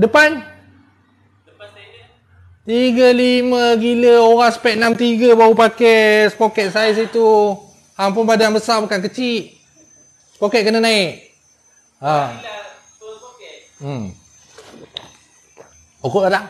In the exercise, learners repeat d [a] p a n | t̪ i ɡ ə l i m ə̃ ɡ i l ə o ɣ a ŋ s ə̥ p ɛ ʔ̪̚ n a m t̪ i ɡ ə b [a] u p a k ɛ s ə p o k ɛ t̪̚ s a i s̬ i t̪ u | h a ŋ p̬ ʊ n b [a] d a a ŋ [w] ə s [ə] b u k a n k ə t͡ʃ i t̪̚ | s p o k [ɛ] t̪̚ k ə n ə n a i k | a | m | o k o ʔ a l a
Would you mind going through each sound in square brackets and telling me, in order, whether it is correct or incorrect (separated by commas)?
incorrect, correct, correct, incorrect, incorrect, correct